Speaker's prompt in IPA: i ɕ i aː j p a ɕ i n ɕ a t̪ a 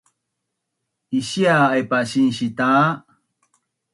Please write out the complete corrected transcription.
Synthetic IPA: i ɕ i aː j p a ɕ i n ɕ i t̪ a